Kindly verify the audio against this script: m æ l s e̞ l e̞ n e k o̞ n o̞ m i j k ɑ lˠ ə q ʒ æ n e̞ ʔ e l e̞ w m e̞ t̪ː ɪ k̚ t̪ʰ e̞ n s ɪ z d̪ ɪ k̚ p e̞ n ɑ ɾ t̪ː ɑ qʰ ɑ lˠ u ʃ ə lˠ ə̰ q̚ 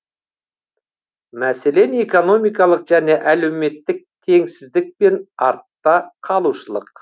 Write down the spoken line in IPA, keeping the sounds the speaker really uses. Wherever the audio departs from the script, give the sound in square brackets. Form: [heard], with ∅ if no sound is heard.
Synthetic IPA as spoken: m æ [∅] s e̞ l e̞ n e k o̞ n o̞ m i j k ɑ lˠ ə q ʒ æ n e̞ ʔ [æ] l e̞ w m e̞ t̪ː ɪ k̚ t̪ʰ e̞ [ŋ] s ɪ z d̪ ɪ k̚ p e̞ n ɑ ɾ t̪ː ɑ qʰ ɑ lˠ u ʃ ə lˠ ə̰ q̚